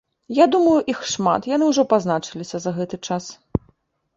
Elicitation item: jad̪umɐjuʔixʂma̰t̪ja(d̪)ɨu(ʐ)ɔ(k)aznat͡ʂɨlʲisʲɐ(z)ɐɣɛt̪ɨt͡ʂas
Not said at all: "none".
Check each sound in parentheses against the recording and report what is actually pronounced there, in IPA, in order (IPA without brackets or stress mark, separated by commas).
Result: n̪, ʐ, p, z